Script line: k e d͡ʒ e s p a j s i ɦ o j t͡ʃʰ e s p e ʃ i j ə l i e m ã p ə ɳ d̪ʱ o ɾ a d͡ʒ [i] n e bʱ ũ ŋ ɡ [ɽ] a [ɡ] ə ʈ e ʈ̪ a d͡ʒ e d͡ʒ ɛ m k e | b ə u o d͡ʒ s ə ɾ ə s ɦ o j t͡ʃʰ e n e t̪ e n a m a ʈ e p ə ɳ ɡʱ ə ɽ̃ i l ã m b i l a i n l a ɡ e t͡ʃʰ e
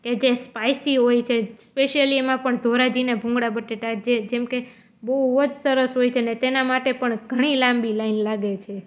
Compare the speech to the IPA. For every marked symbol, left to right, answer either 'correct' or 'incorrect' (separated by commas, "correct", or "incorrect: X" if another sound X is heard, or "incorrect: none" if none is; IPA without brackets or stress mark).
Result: correct, correct, incorrect: b